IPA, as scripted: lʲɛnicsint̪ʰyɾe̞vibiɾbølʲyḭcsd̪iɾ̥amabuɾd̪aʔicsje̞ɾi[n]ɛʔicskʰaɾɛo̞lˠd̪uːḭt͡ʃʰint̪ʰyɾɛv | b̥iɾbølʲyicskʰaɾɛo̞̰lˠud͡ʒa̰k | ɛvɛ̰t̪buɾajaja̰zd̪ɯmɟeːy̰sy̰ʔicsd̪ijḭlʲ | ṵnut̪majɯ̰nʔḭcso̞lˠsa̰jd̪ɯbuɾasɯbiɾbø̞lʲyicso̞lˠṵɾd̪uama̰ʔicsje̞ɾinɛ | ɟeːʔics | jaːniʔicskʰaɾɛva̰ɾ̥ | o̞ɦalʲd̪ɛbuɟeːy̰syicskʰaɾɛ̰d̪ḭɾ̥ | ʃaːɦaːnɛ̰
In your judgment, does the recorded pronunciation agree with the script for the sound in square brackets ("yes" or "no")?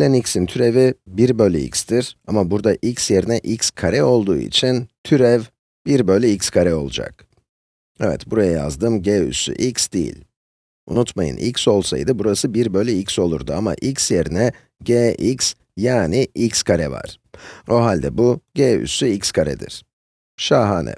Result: yes